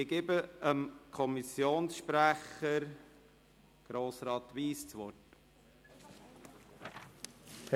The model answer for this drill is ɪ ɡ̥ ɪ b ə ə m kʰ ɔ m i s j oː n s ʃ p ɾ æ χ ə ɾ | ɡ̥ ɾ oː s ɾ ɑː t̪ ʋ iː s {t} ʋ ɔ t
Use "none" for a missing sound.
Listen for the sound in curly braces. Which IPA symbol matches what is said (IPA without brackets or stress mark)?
t͡s